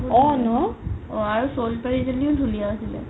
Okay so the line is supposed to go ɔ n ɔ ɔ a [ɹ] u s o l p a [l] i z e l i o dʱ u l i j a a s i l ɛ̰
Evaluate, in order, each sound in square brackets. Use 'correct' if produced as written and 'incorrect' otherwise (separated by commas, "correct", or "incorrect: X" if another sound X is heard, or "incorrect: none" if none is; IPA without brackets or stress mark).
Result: correct, incorrect: ɹ